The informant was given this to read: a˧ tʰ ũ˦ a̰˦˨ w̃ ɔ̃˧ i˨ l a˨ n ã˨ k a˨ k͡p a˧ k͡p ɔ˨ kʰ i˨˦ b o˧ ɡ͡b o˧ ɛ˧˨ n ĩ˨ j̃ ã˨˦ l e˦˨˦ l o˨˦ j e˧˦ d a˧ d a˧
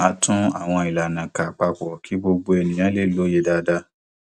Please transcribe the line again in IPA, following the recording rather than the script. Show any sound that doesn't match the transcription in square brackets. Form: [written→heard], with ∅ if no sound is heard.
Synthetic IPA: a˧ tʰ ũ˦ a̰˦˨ w̃ ɔ̃˧ i˨ l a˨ n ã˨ k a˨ k͡p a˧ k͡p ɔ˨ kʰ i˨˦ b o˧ ɡ͡b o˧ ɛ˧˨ n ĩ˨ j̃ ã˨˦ l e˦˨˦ l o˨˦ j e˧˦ d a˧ d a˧